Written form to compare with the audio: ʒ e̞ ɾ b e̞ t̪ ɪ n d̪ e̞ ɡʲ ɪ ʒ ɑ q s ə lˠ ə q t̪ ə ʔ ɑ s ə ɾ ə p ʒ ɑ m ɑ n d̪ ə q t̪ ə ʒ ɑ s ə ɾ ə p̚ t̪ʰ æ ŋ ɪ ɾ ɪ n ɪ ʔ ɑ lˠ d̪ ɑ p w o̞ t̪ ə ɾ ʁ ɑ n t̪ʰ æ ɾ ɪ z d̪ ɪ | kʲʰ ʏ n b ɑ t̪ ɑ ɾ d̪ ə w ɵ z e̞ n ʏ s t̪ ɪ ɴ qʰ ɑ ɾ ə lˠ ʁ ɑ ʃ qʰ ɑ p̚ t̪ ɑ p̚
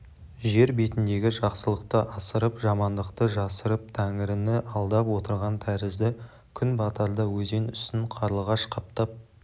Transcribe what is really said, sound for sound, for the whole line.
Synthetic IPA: ʒ e̞ ɾ b e̞ t̪ ɪ n d̪ e̞ ɡʲ ɪ ʒ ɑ q s ə lˠ ə q t̪ ə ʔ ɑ s ə ɾ ə p ʒ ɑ m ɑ n d̪ ə q t̪ ə ʒ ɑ s ə ɾ ə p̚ t̪ʰ æ ŋ ɪ ɾ ɪ n ɪ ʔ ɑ lˠ d̪ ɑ p w o̞ t̪ ə ɾ ʁ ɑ n t̪ʰ æ ɾ ɪ z d̪ ɪ | kʲʰ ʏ n b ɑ t̪ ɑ ɾ d̪ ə w ɵ z e̞ n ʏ s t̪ ɪ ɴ qʰ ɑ ɾ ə lˠ ʁ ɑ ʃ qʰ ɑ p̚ t̪ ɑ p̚